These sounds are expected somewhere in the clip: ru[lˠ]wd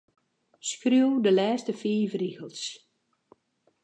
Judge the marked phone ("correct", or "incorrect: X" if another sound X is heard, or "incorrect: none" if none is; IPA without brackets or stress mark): incorrect: none